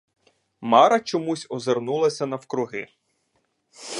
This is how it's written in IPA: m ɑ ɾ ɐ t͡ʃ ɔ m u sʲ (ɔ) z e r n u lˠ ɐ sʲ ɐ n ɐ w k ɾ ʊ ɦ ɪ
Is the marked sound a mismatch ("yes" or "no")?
no